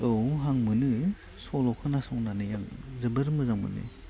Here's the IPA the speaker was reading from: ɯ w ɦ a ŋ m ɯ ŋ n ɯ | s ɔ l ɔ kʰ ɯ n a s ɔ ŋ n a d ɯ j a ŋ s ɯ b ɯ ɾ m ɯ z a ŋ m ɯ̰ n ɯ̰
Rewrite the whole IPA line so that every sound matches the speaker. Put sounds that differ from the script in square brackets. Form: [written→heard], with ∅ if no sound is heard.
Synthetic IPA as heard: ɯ w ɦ a ŋ m ɯ [ŋ→∅] n ɯ | s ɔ l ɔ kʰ ɯ n a s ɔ ŋ n a [d→n] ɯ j a ŋ [s→z] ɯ b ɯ ɾ m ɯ z a ŋ m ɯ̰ n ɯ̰